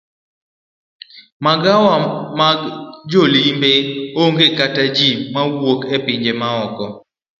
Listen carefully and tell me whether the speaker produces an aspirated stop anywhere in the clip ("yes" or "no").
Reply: no